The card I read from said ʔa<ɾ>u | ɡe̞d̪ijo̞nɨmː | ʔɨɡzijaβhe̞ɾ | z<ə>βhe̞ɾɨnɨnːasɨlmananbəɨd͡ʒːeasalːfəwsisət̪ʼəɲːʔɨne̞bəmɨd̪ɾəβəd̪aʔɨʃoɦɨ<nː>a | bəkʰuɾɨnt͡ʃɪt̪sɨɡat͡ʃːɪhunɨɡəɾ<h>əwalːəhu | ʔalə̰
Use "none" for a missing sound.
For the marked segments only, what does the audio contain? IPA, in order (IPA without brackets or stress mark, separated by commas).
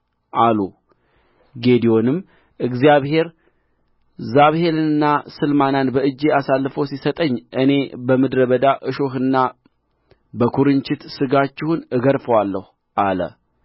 l, a, nː, f